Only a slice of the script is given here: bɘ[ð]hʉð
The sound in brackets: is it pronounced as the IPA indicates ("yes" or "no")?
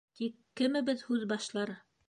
yes